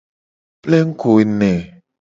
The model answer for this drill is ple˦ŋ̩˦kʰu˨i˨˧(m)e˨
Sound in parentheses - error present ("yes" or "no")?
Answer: yes